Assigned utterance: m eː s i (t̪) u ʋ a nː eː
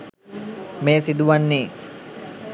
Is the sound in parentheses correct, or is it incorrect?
incorrect